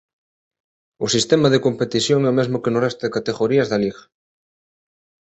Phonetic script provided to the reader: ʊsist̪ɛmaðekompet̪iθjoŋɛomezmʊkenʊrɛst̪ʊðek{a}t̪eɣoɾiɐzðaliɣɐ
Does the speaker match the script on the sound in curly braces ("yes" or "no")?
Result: yes